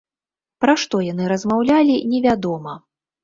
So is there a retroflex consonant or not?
yes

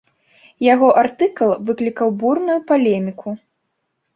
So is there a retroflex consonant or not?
no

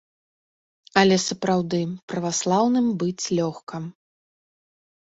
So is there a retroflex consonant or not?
no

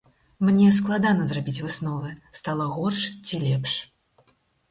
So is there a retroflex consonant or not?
yes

